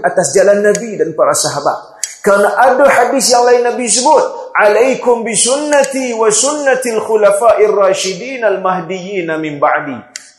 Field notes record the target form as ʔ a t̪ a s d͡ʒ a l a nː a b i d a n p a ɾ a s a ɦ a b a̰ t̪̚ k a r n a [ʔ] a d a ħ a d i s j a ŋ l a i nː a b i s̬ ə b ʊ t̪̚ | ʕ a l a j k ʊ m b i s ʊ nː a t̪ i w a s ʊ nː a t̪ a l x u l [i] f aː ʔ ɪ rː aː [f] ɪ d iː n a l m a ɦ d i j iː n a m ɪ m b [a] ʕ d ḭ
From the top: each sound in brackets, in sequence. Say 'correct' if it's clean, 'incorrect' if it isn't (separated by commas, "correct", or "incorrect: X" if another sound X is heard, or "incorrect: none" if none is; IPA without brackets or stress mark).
correct, incorrect: a, incorrect: ʃ, correct